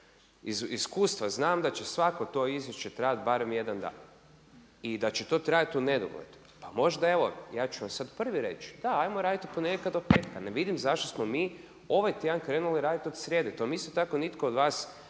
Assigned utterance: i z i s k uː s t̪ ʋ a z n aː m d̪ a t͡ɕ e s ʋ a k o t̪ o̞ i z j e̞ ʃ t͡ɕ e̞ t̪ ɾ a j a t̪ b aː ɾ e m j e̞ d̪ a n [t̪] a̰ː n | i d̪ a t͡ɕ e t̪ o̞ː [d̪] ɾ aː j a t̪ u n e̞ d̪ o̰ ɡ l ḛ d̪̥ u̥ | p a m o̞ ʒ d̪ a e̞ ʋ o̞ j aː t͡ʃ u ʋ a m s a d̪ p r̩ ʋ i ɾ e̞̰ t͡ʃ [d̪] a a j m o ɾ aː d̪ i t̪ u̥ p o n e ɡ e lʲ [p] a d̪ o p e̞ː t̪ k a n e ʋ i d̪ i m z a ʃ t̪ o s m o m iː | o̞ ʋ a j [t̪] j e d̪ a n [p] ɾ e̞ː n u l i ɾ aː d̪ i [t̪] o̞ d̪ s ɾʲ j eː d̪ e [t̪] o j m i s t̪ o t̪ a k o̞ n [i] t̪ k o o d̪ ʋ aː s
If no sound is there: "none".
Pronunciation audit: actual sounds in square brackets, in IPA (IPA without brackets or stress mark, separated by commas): d̪, t̪, d̪, k, t̪, k, t̪, t̪, i